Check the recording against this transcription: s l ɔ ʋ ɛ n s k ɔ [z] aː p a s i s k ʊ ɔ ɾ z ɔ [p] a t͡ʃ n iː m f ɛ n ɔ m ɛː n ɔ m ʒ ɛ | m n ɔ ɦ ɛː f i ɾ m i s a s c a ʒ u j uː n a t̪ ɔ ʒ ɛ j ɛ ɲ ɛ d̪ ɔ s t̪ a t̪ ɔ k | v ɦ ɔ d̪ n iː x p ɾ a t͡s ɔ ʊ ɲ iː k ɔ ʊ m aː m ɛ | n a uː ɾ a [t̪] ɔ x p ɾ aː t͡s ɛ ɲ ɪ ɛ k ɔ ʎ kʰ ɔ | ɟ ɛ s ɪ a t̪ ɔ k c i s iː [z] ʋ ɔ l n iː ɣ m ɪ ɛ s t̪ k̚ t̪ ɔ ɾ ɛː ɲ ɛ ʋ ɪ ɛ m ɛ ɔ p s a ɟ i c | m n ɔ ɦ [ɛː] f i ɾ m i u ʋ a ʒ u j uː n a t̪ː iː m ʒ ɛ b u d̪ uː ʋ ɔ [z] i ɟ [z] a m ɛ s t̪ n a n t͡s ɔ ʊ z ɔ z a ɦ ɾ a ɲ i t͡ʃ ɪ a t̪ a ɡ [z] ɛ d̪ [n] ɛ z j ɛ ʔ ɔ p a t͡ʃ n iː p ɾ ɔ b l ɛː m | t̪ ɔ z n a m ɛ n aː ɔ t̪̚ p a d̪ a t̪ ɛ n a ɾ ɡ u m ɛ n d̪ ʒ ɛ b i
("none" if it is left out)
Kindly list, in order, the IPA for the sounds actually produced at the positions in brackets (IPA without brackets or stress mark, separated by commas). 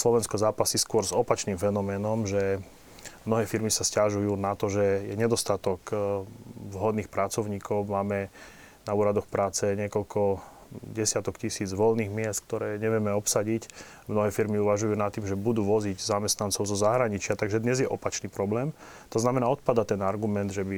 z, p, d̪, d͡z, ɛː, z, z, ʒ, ɲ